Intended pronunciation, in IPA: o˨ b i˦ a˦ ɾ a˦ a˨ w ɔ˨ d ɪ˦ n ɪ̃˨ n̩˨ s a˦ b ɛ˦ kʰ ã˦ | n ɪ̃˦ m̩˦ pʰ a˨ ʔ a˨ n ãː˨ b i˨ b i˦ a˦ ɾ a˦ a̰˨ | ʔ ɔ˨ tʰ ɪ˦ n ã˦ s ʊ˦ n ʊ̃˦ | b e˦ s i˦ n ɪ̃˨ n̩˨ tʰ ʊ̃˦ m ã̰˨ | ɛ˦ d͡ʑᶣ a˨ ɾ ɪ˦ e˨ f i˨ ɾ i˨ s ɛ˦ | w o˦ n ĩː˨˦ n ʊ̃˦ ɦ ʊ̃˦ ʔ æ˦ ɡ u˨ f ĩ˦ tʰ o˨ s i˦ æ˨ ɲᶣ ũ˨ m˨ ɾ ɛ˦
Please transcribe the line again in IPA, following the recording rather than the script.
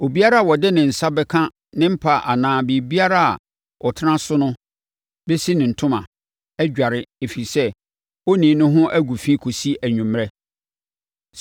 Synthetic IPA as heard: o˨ b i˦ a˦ ɾ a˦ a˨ w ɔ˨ d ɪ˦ n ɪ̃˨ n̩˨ s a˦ b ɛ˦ kʰ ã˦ | n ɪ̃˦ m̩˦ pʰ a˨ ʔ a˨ n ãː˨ b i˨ b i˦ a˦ ɾ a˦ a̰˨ | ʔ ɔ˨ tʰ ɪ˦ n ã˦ s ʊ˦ n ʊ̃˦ | b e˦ s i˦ n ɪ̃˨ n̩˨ tʰ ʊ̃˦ m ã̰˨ | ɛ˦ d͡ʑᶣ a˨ ɾ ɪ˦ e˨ f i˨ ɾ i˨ s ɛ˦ | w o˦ n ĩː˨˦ n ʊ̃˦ ɦ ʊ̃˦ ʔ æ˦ ɡ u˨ f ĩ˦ kʰ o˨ s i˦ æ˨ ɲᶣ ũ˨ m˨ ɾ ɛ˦

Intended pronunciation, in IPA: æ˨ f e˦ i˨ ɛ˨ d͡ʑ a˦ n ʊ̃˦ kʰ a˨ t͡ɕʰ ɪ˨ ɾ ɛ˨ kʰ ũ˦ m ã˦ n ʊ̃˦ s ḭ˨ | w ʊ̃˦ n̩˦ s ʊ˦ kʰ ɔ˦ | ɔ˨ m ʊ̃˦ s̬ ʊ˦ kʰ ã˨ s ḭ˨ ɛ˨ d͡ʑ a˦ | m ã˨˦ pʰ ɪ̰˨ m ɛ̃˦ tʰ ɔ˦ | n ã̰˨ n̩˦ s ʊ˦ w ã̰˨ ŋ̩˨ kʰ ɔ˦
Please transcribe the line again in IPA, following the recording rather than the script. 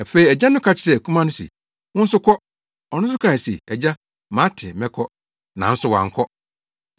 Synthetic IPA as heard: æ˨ f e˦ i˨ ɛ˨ d͡ʑ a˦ n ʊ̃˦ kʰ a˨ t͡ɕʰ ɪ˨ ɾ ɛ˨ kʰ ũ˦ m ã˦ n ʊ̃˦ s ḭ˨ | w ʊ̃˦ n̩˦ s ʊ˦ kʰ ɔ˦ | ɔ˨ n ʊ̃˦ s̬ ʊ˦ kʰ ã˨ s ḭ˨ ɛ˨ d͡ʑ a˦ | m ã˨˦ tʰ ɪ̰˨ m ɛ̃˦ kʰ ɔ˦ | n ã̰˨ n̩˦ s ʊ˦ w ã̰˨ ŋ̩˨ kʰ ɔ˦

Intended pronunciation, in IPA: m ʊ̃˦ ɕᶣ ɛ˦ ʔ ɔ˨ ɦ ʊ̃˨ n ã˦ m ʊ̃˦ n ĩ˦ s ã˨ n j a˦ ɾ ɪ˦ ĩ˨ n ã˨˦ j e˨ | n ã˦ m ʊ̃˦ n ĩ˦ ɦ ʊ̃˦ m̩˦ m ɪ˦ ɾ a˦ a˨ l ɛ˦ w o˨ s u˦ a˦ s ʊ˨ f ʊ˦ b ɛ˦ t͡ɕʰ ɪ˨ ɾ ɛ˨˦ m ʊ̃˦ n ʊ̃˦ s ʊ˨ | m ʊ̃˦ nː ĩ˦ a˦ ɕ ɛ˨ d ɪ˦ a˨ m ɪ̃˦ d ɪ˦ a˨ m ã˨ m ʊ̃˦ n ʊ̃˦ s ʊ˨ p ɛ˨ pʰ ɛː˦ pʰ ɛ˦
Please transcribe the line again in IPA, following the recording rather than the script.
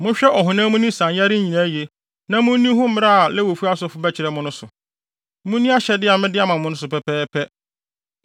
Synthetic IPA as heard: m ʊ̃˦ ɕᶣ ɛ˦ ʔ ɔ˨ ɦ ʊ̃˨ n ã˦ m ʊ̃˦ n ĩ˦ s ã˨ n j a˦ ɾ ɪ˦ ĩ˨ n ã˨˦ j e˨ | n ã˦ m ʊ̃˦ n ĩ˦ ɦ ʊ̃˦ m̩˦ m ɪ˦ ɾ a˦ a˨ l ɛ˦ w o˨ f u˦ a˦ s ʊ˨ f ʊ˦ b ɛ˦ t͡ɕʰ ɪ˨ ɾ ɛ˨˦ m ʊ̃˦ n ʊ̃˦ s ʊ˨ | m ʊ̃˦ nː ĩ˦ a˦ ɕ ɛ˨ d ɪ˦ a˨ m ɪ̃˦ d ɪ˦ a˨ m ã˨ m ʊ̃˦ n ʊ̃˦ s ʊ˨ p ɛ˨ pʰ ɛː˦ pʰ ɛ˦

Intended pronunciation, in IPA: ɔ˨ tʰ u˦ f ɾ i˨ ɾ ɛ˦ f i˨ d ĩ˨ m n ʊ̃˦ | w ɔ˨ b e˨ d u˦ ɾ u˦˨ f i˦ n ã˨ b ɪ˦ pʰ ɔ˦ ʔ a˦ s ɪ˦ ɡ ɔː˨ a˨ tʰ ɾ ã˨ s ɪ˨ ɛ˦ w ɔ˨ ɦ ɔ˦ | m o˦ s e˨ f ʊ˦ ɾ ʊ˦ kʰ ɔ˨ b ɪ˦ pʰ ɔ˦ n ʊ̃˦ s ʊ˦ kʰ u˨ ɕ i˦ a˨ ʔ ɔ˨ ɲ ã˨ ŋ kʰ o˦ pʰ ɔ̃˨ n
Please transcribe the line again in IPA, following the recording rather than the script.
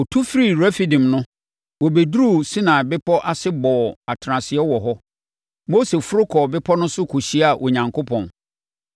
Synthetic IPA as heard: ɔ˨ tʰ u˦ f ɾ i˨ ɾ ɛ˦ f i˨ d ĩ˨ m n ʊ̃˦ | w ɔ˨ b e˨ d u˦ ɾ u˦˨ s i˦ n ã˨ b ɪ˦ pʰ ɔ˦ ʔ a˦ s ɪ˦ b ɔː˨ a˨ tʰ ɾ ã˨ s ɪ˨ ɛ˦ w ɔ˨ ɦ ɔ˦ | m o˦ s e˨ f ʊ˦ ɾ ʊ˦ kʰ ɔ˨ b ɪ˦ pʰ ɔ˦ n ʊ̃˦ s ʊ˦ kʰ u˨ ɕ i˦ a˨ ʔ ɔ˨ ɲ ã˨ ŋ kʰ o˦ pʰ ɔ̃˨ n

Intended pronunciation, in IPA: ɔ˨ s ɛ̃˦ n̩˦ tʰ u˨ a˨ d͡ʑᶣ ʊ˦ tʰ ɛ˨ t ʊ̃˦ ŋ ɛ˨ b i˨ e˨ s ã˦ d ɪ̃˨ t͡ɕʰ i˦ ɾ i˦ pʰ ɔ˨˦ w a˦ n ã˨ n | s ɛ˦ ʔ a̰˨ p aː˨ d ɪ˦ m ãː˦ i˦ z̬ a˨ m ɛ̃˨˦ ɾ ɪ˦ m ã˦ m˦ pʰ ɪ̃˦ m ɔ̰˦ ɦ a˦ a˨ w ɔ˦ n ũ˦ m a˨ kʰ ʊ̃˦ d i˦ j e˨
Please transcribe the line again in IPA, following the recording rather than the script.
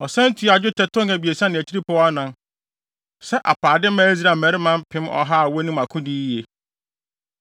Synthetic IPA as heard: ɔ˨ s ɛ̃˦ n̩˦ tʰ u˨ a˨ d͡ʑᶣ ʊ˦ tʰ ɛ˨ t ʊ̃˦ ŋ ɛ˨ b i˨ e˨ s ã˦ n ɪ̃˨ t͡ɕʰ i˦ ɾ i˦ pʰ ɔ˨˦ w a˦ n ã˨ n | s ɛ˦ ʔ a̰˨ p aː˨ d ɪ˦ m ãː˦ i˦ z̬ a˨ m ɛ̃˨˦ ɾ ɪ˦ m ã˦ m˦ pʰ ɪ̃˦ m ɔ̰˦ ɦ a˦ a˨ w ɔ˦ n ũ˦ m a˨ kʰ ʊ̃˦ d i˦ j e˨

